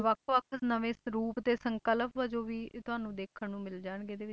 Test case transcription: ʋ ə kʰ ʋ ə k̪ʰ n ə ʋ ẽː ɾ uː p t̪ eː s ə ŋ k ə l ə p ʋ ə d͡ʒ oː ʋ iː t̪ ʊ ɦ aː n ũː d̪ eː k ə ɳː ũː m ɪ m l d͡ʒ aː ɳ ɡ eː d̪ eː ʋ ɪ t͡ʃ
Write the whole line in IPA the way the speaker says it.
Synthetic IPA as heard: ʋ ə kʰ ʋ ə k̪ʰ n ə ʋ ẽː ɾ uː p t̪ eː s ə ŋ k ə l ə p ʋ ə d͡ʒ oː ʋ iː t̪ ʊ ɦ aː n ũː d̪ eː kʰ ə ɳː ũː m ɪ l d͡ʒ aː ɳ ɡ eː d̪ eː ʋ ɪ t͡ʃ